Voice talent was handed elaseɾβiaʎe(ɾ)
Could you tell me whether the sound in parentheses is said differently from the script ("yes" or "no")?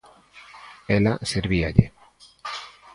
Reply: yes